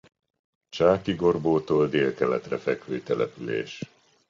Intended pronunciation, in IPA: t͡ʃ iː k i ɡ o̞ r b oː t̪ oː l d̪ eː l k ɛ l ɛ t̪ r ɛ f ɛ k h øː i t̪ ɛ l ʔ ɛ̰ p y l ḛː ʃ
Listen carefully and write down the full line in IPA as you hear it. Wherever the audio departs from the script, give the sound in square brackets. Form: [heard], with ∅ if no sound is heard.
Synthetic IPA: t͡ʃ [aː] k i ɡ o̞ r b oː t̪ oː l d̪ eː l k ɛ l ɛ t̪ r ɛ f ɛ k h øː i t̪ ɛ l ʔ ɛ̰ p y l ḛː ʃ